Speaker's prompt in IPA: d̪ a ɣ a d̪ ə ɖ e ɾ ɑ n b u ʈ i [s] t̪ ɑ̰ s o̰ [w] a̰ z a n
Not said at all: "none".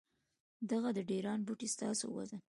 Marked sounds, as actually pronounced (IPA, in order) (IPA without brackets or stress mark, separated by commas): s, w